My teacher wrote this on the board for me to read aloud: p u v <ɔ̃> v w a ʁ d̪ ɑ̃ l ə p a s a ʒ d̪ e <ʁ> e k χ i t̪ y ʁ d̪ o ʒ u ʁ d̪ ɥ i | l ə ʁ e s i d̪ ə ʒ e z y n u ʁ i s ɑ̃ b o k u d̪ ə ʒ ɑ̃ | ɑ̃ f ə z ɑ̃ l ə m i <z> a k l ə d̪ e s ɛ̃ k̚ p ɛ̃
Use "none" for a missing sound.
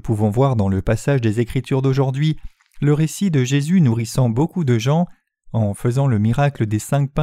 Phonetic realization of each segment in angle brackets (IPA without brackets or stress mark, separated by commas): ɔ̃, z, ʁ